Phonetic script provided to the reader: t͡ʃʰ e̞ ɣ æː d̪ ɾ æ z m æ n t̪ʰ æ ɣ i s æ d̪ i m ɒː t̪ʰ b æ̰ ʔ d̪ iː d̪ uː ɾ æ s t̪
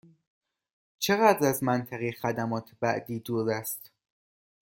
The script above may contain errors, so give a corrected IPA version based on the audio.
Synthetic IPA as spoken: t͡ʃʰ e̞ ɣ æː d̪ ɾ æ z m æ n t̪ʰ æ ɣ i x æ d̪ æ m ɒː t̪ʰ b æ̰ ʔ d̪ iː d̪ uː ɾ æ s t̪